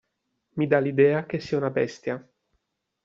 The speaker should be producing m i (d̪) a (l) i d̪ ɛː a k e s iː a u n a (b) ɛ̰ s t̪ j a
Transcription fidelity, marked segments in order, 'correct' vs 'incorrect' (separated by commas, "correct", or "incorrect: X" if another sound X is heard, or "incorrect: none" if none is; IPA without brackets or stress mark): correct, correct, correct